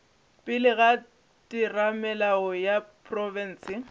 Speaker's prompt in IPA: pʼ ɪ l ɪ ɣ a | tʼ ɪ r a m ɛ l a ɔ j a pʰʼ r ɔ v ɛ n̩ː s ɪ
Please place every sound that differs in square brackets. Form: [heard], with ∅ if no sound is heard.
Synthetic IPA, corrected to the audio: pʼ ɪ l ɪ ɣ a | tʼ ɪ r a m ɛ l a ɔ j a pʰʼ r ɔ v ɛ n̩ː s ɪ